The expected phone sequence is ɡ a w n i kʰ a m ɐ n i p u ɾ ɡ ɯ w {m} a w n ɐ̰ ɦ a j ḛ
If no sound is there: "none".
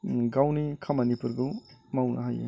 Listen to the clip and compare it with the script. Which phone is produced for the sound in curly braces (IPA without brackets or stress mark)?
m